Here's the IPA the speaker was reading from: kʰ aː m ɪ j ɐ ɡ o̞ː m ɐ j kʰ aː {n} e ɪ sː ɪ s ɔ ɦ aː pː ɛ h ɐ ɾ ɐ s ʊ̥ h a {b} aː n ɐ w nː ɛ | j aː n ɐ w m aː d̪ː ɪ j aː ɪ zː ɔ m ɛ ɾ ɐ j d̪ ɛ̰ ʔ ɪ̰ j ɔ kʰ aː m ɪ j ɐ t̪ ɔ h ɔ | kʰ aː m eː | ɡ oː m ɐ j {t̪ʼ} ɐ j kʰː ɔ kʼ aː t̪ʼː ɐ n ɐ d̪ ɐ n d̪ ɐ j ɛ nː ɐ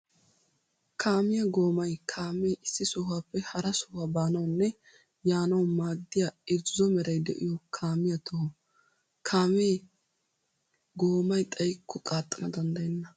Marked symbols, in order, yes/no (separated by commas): no, yes, yes